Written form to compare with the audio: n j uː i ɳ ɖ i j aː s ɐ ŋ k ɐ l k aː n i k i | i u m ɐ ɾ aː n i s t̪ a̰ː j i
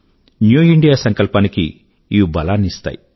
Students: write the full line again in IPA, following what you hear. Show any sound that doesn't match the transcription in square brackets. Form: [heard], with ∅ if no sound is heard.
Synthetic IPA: n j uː i ɳ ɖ i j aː s ɐ ŋ k ɐ l [p] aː n i k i | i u [b] ɐ [l] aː n i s t̪ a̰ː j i